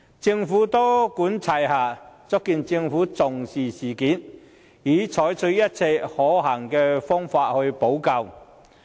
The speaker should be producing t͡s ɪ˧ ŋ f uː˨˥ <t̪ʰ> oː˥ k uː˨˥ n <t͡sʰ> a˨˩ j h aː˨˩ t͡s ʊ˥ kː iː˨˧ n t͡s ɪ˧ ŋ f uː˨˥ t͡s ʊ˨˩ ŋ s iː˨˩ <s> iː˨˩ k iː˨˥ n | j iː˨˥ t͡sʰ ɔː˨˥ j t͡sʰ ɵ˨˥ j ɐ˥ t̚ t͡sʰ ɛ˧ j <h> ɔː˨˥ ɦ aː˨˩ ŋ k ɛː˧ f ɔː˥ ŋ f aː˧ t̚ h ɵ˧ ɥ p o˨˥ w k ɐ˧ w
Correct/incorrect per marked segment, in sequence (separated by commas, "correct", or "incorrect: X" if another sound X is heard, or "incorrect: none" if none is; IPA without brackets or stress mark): incorrect: t̪, correct, correct, correct